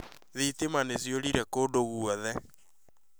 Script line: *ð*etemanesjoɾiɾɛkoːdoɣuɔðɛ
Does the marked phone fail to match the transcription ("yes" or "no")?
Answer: no